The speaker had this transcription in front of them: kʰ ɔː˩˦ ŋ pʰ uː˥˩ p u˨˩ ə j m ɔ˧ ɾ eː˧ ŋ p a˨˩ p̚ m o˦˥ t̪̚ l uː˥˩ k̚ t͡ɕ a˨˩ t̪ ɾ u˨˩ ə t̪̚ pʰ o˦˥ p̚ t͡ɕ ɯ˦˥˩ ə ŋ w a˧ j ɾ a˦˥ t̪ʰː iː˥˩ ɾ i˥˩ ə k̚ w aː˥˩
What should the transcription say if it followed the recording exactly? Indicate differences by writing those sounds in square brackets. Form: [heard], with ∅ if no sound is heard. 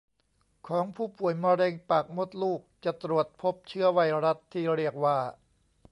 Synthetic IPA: kʰ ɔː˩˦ ŋ pʰ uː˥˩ p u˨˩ ə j m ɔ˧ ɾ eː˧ ŋ p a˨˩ [k̚] m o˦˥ t̪̚ l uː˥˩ k̚ t͡ɕ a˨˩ t̪ ɾ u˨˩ ə t̪̚ pʰ o˦˥ p̚ [t͡ɕʰ] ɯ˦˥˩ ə [∅] w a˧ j ɾ a˦˥ t̪ʰː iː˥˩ ɾ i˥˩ ə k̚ w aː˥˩